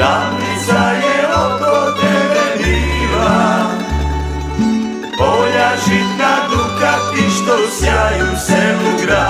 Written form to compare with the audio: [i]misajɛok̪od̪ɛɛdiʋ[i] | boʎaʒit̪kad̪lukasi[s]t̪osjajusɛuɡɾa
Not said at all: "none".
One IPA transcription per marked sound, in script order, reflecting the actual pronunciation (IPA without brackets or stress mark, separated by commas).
a, a, ʃ